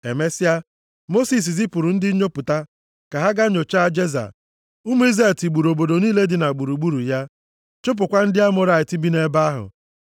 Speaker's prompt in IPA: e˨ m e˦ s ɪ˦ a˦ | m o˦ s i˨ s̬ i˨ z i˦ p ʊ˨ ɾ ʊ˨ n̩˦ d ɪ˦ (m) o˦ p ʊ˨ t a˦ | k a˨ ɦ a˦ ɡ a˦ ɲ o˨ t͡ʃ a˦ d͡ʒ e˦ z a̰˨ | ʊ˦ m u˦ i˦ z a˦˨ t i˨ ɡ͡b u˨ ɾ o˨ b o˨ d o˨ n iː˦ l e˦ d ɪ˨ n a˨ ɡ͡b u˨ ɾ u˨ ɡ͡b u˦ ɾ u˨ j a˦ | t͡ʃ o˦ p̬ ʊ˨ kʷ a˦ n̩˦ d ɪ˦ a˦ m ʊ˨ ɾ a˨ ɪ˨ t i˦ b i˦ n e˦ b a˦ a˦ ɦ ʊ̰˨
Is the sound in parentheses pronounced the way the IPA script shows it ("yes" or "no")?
no